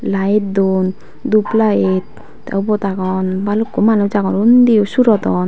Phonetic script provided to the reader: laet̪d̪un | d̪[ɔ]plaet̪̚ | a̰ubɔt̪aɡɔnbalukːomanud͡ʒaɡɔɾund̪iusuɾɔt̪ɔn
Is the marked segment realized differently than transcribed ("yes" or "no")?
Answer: yes